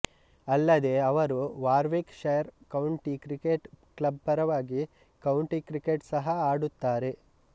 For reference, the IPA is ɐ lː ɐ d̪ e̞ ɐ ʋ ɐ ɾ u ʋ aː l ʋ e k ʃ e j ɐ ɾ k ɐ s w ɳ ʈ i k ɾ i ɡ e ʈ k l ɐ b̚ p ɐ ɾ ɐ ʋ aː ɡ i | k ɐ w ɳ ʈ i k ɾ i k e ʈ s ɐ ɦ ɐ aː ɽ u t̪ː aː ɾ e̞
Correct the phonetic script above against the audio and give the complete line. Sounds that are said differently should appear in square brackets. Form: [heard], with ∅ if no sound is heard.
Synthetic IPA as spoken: ɐ lː ɐ d̪ e̞ ɐ ʋ ɐ ɾ u ʋ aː [ɾ] ʋ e k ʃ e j ɐ ɾ k ɐ [∅] w ɳ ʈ i k ɾ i [k] e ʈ k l ɐ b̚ p ɐ ɾ ɐ ʋ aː ɡ i | k ɐ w ɳ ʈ i k ɾ i k e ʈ s ɐ ɦ ɐ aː ɽ u t̪ː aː ɾ e̞